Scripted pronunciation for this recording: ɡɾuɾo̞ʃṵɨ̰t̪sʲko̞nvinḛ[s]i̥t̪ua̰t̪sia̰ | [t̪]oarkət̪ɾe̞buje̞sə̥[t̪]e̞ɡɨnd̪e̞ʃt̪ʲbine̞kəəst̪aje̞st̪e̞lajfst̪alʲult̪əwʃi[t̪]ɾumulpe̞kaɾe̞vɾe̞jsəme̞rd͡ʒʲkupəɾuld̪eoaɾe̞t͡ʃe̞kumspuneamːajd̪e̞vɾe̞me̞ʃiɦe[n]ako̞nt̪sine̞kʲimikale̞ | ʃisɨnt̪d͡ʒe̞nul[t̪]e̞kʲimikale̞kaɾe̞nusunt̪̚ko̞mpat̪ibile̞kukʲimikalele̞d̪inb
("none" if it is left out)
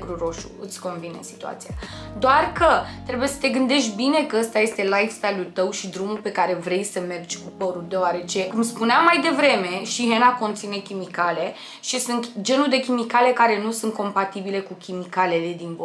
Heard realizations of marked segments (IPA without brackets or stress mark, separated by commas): s, d̪, t̪, d̪, n, d̪